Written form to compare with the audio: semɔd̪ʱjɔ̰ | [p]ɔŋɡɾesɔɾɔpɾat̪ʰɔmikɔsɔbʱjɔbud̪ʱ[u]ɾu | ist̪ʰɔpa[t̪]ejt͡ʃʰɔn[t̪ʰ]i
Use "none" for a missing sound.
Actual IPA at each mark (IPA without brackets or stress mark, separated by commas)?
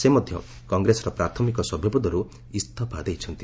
k, ɔ, d̪, t̪